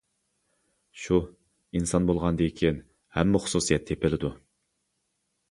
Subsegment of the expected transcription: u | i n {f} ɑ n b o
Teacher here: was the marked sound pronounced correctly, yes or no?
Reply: no